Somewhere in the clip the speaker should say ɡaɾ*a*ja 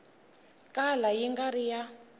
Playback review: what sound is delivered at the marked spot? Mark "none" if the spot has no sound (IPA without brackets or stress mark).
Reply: i